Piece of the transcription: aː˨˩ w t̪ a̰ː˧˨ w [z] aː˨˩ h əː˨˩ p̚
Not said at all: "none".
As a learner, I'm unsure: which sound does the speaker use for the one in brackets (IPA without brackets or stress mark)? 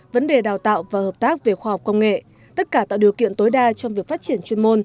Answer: v